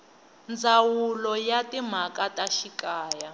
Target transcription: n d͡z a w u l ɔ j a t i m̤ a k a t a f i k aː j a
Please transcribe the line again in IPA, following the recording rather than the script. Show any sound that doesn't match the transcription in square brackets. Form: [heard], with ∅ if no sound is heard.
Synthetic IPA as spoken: n d͡z a w u l ɔ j a t i m̤ a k a t a [ʃ] i k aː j a